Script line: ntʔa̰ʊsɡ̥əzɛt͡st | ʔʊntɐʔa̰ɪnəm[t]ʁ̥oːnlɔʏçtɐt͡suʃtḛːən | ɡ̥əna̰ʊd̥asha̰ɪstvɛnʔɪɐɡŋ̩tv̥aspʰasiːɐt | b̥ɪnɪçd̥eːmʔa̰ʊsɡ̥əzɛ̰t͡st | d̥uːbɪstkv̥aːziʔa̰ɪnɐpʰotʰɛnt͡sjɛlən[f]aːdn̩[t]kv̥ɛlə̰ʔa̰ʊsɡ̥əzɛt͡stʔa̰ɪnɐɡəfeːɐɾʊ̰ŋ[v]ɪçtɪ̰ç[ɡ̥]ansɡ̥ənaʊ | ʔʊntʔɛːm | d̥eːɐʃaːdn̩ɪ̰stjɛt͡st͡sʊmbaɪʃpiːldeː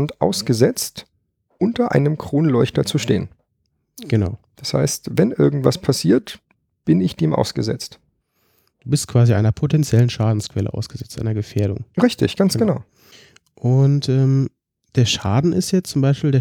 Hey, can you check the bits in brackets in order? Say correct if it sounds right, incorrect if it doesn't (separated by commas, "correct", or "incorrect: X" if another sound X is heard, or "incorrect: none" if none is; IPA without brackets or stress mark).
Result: incorrect: k, incorrect: ʃ, incorrect: s, incorrect: ʁ, correct